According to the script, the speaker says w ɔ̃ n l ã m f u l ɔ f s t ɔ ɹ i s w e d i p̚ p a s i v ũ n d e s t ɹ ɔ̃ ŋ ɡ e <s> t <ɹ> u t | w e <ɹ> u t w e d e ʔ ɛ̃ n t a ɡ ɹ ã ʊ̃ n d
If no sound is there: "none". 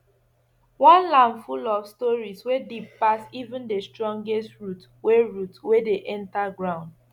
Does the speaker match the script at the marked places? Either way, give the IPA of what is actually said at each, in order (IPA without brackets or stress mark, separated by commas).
s, ɹ, ɹ